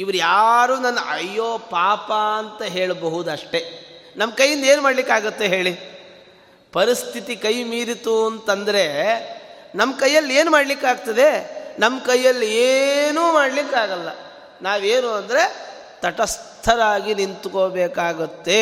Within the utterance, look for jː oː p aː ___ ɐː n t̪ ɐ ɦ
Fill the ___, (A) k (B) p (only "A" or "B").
B